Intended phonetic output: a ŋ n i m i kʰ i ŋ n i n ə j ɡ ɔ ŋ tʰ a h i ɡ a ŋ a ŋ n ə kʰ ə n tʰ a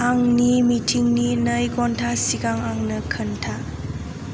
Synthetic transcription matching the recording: a ŋ n i m i tʰ i ŋ n i n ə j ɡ ɔ n tʰ a s i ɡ a ŋ a ŋ n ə kʰ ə n tʰ a